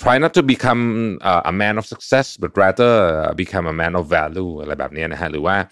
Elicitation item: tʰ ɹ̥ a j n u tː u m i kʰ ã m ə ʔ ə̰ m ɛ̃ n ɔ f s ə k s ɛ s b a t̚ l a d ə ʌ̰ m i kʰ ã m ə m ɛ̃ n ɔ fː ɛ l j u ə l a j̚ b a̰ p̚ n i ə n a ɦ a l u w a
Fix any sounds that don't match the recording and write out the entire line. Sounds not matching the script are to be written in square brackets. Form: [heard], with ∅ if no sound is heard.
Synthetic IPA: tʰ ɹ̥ a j n [ɔ] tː u [b] i kʰ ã m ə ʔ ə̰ m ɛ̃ n ɔ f s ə k s ɛ s b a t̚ [ɹ] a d ə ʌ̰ [b] i kʰ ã m ə m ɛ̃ n ɔ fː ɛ l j u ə l a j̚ b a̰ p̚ n i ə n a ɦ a l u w a